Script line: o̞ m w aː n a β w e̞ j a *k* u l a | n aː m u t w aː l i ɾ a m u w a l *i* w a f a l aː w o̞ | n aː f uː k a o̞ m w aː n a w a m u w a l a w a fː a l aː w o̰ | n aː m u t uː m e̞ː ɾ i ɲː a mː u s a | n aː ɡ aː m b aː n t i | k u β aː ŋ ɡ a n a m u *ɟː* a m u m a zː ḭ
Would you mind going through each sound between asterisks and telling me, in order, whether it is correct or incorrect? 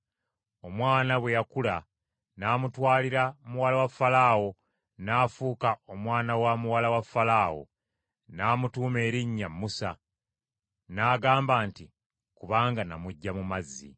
correct, incorrect, correct

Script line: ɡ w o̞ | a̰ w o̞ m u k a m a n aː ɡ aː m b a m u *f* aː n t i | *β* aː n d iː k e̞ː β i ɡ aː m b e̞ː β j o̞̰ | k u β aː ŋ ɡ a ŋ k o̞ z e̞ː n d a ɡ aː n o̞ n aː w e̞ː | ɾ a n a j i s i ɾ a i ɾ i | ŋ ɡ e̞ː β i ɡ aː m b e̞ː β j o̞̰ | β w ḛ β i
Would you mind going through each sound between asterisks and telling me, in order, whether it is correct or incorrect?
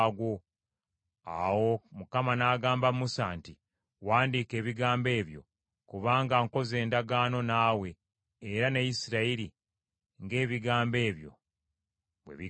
incorrect, incorrect

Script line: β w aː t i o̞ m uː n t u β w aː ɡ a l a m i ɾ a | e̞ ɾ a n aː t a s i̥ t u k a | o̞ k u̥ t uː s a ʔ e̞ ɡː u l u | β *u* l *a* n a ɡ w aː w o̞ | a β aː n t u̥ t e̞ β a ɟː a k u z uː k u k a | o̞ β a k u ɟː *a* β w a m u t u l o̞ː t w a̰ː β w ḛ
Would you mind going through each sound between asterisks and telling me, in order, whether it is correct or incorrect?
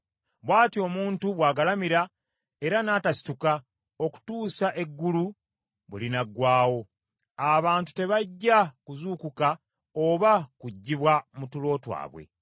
correct, incorrect, incorrect

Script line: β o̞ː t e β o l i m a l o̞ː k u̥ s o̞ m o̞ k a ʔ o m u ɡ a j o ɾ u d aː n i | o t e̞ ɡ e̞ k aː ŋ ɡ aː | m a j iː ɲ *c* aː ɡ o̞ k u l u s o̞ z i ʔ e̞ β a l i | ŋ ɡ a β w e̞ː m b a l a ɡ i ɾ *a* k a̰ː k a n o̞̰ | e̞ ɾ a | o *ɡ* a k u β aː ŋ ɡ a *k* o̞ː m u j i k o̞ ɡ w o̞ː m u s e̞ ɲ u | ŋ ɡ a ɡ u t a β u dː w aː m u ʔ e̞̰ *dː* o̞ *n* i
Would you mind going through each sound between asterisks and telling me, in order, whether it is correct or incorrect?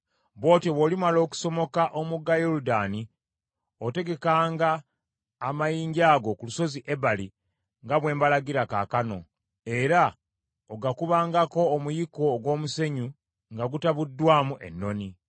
incorrect, correct, correct, correct, incorrect, correct

